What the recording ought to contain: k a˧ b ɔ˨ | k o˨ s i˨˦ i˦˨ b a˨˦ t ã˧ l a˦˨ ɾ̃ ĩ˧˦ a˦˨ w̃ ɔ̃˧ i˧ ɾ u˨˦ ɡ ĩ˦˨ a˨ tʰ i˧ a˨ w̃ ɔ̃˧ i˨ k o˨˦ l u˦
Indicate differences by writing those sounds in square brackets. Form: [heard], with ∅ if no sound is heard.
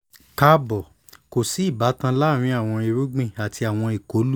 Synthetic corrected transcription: k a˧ b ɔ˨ | k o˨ s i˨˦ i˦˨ b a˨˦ t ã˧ l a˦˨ ɾ̃ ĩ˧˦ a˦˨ w̃ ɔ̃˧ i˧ ɾ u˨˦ [ɡ͡b] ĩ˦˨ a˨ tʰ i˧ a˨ w̃ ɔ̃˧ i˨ k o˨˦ l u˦